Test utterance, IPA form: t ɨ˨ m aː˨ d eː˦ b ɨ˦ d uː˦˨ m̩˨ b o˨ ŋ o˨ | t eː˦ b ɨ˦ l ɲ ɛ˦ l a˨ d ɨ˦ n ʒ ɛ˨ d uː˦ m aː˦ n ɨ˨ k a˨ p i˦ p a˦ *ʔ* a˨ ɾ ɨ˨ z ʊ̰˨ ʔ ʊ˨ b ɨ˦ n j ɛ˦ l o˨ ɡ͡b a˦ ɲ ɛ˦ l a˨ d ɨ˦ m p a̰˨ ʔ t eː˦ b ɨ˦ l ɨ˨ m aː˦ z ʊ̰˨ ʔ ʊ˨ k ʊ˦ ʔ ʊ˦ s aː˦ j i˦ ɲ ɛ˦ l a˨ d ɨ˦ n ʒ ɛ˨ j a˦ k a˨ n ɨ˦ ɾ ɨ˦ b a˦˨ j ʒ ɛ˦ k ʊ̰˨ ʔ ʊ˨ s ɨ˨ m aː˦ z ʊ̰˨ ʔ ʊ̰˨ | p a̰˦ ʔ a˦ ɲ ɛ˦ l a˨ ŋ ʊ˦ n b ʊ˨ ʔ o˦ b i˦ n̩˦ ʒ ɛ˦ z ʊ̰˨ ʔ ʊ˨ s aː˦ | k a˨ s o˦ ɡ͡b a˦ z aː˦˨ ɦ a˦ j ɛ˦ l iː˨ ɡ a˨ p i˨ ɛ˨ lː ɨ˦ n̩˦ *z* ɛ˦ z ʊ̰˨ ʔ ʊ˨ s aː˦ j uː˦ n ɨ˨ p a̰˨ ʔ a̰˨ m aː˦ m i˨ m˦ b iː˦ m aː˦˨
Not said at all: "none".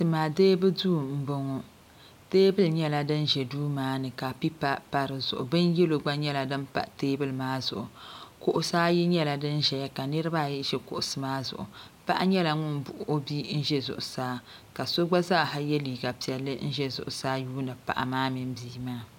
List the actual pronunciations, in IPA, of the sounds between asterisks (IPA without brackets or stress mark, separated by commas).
p, ʒ